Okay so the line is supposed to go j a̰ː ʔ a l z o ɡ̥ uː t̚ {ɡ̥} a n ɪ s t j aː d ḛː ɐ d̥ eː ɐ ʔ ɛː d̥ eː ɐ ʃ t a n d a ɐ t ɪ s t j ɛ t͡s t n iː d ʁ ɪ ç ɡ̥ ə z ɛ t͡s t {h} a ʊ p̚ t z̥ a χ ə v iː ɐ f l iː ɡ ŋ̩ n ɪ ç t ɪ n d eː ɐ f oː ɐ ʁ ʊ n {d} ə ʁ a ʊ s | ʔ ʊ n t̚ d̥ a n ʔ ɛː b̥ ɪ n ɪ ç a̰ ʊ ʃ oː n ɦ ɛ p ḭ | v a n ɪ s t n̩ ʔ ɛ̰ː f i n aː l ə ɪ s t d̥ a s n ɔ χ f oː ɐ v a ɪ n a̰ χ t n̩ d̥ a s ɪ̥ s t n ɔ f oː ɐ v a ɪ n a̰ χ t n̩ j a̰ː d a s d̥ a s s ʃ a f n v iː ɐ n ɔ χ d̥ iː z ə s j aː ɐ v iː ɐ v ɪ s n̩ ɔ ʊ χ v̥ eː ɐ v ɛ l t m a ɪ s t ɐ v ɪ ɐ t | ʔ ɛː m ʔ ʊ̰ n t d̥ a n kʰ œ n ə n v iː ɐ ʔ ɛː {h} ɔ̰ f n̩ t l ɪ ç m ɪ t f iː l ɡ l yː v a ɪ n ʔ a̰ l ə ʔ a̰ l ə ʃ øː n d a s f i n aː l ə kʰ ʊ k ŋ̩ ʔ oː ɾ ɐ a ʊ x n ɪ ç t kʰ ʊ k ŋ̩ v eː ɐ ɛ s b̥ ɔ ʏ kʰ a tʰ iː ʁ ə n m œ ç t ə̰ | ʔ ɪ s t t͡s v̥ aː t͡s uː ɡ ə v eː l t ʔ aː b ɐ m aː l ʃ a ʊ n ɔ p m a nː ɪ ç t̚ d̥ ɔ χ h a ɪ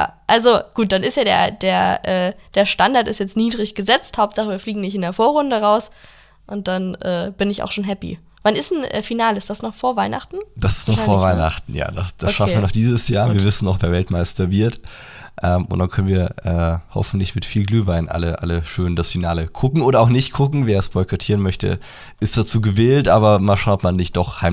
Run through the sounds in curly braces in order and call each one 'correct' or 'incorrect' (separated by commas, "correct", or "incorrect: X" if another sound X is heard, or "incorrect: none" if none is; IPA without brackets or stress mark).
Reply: incorrect: d̥, correct, correct, correct